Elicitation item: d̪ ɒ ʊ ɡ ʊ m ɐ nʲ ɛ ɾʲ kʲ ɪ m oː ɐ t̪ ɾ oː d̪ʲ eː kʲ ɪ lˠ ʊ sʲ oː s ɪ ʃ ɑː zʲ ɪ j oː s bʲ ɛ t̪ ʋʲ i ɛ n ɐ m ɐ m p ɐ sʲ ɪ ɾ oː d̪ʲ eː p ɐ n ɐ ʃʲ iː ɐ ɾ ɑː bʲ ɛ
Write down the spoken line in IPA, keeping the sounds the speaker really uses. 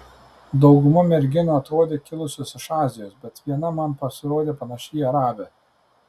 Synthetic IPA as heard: d̪ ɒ ʊ ɡ ʊ m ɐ mʲ ɛ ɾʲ ɡʲ ɪ n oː ɐ t̪ ɾ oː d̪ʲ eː kʲ ɪ lˠ ʊ sʲ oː s ɪ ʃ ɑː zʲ ɪ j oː s bʲ ɛ t̪ ʋʲ i ɛ n ɐ m ɐ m p ɐ sʲ ɪ ɾ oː d̪ʲ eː p ɐ n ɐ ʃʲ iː ɐ ɾ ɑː bʲ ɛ